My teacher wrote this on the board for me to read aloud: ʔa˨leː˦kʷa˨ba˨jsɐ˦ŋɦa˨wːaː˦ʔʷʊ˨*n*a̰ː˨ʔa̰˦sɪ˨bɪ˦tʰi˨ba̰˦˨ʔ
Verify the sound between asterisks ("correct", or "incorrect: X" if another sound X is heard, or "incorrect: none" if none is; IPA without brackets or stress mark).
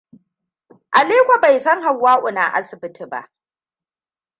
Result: correct